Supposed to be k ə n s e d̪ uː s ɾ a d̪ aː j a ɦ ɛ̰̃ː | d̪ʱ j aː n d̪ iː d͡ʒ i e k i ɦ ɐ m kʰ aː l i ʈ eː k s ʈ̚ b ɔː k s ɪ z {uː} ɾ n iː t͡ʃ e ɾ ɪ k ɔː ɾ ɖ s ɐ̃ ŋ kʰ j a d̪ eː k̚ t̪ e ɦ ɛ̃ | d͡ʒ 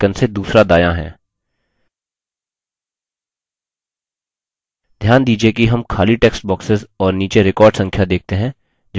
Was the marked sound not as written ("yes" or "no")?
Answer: yes